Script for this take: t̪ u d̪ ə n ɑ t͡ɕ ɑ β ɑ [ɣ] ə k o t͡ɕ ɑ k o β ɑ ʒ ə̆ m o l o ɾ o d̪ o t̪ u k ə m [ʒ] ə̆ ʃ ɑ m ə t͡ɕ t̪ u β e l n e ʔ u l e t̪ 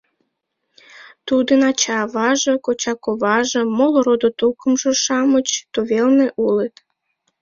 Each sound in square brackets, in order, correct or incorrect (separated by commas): incorrect, correct